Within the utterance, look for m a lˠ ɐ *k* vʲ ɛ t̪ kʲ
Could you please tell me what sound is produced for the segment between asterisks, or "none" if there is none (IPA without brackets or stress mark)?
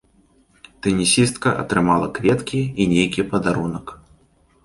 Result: k